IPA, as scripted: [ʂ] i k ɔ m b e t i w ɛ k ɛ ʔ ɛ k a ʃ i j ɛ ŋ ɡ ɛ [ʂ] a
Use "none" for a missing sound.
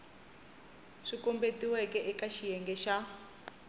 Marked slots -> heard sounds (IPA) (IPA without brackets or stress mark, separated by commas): ʂ, ʃ